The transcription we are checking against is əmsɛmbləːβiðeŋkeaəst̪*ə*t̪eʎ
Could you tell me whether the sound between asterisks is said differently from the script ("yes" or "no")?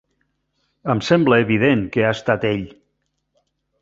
yes